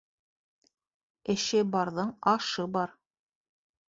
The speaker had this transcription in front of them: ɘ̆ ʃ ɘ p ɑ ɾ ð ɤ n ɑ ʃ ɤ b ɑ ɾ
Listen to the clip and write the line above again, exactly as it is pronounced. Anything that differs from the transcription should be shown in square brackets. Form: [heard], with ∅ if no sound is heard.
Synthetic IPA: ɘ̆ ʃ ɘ [b] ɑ ɾ ð ɤ [ɴ] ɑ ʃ ɤ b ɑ ɾ